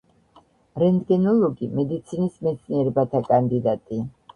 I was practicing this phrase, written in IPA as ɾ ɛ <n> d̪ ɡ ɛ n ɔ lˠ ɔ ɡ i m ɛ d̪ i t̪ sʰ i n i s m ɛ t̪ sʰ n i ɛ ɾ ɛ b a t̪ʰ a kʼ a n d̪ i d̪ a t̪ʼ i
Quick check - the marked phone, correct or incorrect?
correct